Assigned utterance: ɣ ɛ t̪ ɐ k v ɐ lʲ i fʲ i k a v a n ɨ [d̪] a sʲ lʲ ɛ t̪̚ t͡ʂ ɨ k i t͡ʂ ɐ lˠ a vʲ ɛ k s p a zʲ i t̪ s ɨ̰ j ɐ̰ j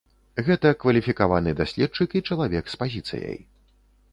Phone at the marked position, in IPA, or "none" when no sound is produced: d̪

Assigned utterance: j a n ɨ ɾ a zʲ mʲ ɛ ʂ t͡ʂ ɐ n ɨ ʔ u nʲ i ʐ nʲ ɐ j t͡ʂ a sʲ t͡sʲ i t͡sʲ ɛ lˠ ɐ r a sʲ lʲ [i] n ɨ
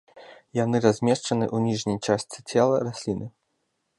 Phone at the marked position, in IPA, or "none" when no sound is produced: i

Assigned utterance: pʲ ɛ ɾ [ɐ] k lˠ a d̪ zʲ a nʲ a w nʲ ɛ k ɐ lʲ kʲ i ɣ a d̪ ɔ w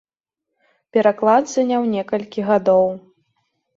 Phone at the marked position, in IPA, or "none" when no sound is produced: a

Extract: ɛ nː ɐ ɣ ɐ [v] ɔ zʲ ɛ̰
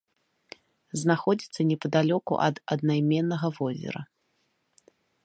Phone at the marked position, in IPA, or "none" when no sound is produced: v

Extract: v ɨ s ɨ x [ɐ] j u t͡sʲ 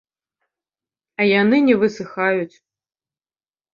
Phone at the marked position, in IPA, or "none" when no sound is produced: a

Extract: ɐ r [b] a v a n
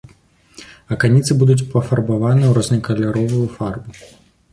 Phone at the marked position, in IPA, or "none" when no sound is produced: b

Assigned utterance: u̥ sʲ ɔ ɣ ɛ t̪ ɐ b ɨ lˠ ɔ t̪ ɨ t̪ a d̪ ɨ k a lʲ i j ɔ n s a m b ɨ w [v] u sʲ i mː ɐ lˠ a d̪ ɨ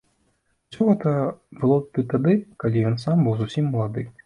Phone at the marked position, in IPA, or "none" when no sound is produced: z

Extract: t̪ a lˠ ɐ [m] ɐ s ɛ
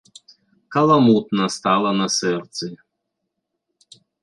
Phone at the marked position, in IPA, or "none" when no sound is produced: n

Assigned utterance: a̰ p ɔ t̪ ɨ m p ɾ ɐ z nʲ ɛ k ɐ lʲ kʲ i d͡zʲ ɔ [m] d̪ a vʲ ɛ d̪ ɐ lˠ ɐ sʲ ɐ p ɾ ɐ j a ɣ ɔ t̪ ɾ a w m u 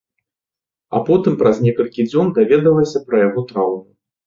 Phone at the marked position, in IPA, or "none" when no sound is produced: n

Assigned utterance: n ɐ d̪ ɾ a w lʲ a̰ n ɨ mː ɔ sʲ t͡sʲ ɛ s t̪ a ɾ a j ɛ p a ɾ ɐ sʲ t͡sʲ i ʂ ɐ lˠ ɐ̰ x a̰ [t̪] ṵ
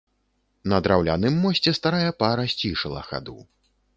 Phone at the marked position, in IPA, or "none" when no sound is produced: d̪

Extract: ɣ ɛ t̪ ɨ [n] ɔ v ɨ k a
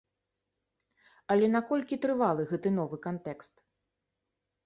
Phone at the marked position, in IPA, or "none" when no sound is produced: n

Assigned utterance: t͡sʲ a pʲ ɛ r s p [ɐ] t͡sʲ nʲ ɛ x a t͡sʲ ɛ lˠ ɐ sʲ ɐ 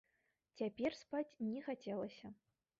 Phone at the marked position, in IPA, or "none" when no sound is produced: a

